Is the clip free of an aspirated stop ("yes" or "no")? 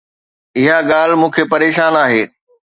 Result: no